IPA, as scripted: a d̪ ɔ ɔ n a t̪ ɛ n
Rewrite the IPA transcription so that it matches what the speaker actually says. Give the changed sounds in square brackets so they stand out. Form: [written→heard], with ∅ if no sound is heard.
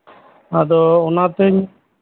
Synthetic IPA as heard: a d̪ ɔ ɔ n a t̪ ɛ [n→ɲ]

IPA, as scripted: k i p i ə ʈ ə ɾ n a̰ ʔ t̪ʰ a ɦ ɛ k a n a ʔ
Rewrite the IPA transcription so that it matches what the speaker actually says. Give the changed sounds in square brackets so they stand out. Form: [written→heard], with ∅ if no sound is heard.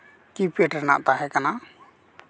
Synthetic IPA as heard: k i p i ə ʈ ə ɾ n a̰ ʔ [t̪ʰ→t̪] a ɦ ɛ k a n a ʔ

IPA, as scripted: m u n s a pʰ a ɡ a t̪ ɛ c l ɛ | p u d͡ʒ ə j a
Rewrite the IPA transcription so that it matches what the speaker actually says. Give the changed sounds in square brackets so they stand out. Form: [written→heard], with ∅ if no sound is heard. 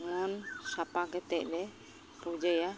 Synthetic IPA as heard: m [u→ɔ] n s a [pʰ→p] a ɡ [a→ɛ] t̪ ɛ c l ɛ | p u d͡ʒ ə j a

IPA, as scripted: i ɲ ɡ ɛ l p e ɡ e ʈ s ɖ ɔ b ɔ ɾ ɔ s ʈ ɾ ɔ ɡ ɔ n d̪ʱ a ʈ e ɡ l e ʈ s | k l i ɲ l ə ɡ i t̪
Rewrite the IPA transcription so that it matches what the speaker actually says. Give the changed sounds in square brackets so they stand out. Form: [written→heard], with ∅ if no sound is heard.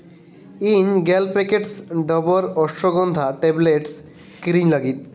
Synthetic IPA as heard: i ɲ ɡ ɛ l p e [ɡ→k] e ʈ s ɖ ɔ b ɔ ɾ ɔ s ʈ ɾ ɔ ɡ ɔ n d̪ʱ a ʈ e [ɡ→b] l e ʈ s | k [l→ɾ] i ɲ l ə ɡ i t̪

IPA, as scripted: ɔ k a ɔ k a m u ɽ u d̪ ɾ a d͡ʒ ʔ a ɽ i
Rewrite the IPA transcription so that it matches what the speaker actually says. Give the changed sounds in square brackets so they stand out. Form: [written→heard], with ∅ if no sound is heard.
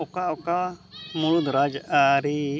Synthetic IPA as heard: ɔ k a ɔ k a m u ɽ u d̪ ɾ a d͡ʒ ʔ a [ɽ→ɾ] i

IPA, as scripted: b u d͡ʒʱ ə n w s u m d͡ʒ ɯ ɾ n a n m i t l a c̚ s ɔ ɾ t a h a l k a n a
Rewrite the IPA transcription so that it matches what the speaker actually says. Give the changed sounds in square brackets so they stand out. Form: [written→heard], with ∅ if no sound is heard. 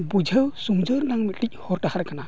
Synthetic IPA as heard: b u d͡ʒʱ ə [n→∅] w s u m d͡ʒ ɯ ɾ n a [n→ŋ] m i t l [a→i] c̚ [s→h] ɔ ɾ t a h a [l→ɾ] k a n a

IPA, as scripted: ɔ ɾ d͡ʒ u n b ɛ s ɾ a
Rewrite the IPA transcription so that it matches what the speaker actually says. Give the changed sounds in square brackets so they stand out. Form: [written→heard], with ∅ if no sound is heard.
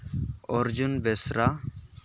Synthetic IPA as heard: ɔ ɾ d͡ʒ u n b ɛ s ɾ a

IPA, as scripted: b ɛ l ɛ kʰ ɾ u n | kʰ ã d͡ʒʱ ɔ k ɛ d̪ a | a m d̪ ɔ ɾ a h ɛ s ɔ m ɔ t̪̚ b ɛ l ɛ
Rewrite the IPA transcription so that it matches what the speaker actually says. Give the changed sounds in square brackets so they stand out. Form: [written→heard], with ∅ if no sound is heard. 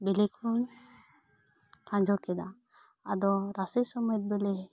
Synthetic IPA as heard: b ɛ l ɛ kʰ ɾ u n | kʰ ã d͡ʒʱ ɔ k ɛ d̪ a | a [m→∅] d̪ ɔ ɾ a [h→s] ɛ s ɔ m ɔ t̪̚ b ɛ l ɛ

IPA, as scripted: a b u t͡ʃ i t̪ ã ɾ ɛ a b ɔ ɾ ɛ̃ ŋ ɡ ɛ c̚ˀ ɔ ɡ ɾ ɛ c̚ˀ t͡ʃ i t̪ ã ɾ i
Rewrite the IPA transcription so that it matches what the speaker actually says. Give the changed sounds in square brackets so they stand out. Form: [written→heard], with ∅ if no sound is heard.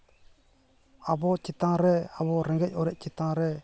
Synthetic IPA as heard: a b [u→ɔ] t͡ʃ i t̪ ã ɾ ɛ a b ɔ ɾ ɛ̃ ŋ ɡ ɛ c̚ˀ ɔ [ɡ→∅] ɾ ɛ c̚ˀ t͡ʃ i t̪ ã ɾ [i→ɛ]

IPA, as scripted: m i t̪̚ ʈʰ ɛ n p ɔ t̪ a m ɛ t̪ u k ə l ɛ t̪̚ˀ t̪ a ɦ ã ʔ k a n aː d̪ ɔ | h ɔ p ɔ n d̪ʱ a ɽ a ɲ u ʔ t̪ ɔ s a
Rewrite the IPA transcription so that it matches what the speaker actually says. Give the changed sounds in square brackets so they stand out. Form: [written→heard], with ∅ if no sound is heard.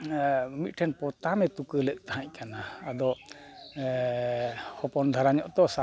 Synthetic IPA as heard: m i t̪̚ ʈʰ ɛ n p ɔ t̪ a m ɛ t̪ u k ə l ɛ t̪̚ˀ t̪ a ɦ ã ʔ k a n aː d̪ ɔ | h ɔ p ɔ n d̪ʱ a [ɽ→ɾ] a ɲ [u→ɔ] ʔ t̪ ɔ s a

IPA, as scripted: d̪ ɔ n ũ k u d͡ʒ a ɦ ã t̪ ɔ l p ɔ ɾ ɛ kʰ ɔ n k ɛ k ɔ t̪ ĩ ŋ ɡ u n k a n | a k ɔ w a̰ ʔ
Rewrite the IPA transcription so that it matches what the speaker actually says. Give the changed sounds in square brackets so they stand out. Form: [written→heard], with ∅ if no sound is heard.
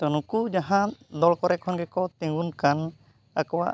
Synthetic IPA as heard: [d̪→t̪] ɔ n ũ k u d͡ʒ a ɦ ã [t̪→d̪] ɔ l [p→k] ɔ ɾ ɛ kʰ ɔ n [k→ɡ] ɛ k ɔ t̪ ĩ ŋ ɡ u n k a n | a k ɔ w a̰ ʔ

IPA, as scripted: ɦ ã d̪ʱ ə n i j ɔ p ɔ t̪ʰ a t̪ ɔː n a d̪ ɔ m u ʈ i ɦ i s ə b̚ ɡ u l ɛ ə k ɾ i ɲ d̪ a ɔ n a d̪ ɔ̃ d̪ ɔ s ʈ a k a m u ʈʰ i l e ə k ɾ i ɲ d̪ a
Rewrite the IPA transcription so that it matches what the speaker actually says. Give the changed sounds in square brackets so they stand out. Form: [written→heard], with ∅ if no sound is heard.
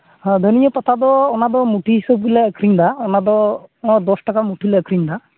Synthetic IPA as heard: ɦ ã d̪ʱ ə n i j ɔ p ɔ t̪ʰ a [t̪→d̪] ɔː n a d̪ ɔ m u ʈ i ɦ i s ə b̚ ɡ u l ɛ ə k ɾ i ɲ d̪ a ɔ n a d̪ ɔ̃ d̪ ɔ s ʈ a k a m u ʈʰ i l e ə k ɾ i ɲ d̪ a

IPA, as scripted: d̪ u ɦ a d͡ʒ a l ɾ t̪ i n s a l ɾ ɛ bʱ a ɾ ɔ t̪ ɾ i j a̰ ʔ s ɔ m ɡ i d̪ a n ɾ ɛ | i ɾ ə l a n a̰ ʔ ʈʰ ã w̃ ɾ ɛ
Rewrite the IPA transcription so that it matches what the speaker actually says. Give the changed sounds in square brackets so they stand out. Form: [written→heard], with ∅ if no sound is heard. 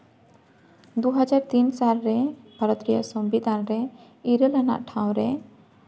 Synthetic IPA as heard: d̪ u ɦ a d͡ʒ a [l→∅] ɾ t̪ i n s a l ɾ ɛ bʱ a ɾ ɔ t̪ ɾ i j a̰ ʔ s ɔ m [ɡ→b] i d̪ a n ɾ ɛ | i ɾ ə l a n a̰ ʔ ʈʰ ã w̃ ɾ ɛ

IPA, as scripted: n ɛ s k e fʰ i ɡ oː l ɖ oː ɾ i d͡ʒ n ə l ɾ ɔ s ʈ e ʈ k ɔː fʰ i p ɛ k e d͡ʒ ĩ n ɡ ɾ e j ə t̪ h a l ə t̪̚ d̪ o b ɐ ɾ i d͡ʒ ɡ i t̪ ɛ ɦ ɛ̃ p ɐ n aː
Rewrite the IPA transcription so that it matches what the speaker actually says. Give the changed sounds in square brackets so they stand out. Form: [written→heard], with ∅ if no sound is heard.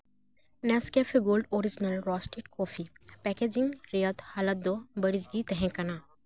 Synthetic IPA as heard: n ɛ s k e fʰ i ɡ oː l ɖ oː ɾ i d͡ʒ n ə l ɾ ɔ s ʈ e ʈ k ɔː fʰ i p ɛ k e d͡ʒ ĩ [n→ŋ] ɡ ɾ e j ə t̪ h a l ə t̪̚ d̪ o b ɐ ɾ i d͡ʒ ɡ i t̪ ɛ ɦ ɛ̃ [p→k] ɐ n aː

